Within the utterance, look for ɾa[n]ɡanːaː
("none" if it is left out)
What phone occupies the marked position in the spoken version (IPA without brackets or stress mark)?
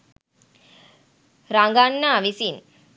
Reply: ŋ